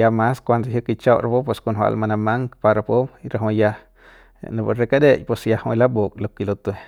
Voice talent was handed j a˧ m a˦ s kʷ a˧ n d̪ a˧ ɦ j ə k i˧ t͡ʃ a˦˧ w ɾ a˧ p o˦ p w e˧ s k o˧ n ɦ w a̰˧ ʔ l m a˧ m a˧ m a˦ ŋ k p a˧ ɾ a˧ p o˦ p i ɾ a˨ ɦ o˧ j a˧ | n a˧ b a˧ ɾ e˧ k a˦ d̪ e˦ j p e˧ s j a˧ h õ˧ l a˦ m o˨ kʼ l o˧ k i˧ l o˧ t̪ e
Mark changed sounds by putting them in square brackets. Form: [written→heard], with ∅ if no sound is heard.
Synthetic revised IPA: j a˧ m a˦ s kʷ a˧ n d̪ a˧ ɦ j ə k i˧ t͡ʃ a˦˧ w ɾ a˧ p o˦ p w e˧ s k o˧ n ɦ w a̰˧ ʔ l m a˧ [m→n] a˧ m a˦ ŋ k p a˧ ɾ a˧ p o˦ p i ɾ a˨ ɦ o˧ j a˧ | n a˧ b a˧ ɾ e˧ k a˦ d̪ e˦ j p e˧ s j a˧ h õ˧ l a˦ [m→b] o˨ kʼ l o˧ k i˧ l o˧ t̪ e